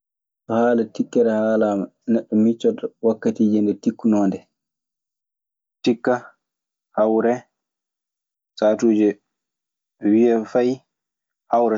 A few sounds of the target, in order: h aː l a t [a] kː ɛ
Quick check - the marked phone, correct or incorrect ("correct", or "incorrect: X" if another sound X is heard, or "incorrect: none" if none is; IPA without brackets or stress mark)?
incorrect: i